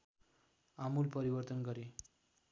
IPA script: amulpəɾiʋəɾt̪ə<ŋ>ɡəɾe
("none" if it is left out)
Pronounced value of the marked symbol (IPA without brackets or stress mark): n